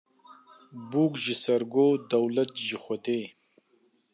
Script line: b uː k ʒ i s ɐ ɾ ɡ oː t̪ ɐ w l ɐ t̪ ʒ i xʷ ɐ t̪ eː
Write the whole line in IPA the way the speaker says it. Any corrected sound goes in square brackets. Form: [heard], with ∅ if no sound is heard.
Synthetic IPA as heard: b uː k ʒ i s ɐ ɾ ɡ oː [d̪] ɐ w l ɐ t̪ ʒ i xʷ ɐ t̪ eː